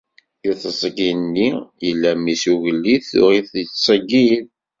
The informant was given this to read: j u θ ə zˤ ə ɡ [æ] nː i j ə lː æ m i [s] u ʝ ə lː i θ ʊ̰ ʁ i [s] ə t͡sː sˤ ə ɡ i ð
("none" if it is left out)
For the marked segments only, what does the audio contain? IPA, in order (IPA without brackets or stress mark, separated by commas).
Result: i, s, θ